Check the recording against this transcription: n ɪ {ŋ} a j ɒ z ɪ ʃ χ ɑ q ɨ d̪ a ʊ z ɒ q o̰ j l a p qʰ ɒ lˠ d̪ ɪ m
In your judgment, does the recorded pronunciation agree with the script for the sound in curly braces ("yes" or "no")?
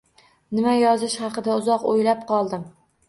no